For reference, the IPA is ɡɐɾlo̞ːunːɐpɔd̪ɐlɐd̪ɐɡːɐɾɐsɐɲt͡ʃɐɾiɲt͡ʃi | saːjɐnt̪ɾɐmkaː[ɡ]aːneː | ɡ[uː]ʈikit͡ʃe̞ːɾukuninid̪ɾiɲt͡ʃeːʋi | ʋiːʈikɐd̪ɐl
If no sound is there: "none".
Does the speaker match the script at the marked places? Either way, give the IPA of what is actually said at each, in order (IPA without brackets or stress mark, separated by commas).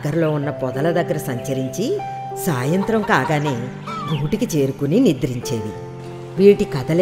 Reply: ɡ, uː